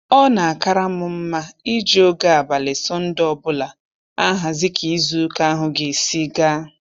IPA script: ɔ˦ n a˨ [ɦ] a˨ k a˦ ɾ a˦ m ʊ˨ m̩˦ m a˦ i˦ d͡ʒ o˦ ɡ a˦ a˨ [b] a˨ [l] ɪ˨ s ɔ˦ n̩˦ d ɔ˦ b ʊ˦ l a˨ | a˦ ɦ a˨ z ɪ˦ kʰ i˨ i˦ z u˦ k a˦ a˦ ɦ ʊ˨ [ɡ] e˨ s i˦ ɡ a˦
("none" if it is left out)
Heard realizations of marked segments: none, b, l, ɡ

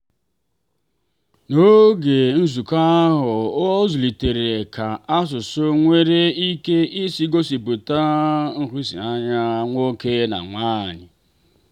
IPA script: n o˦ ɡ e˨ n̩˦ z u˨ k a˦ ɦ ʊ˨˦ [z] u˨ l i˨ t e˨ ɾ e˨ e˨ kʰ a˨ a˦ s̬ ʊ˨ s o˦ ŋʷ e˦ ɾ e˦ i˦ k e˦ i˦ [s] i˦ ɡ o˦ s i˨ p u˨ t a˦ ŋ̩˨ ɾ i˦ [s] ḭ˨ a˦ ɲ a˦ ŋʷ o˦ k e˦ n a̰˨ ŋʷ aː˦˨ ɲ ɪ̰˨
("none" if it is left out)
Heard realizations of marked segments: z, s, s

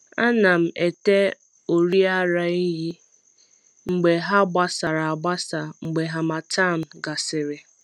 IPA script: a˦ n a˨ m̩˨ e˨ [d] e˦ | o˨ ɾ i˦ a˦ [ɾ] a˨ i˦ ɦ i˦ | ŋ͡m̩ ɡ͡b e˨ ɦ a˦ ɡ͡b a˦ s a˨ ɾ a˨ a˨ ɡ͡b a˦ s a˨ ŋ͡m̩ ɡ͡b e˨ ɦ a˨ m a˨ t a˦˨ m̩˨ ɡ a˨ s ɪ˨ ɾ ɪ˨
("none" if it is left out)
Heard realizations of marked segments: t, ɾ

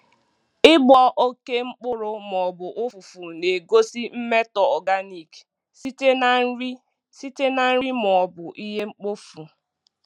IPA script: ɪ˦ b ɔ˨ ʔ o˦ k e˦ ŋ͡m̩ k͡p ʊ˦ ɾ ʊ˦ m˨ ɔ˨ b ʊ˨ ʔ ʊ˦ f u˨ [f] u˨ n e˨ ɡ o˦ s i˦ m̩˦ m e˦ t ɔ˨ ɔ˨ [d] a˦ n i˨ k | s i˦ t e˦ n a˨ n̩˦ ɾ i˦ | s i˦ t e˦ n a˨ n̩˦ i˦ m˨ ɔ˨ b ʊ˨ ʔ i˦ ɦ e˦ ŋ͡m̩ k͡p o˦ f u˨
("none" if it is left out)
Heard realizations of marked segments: f, ɡ

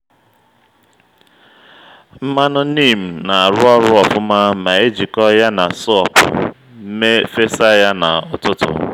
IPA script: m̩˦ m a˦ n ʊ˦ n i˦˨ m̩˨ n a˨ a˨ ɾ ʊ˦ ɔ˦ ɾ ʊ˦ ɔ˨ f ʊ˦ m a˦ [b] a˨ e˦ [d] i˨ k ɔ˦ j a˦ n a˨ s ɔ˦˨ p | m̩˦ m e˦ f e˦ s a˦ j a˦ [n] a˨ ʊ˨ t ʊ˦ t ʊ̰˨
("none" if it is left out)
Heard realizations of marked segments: m, d͡ʒ, n

